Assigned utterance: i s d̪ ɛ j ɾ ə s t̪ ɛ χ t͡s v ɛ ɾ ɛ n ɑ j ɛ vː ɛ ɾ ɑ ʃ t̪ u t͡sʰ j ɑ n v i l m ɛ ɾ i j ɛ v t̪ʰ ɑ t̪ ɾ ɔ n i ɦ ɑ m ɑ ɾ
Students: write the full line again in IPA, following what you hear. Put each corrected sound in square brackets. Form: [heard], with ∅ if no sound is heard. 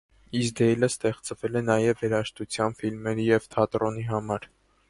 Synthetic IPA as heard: i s d̪ ɛ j [l] ə s t̪ ɛ χ t͡s v ɛ [l] ɛ n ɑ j ɛ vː ɛ ɾ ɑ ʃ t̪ u t͡sʰ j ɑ n [f] i l m ɛ ɾ i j ɛ v t̪ʰ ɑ t̪ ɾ ɔ n i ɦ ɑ m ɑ ɾ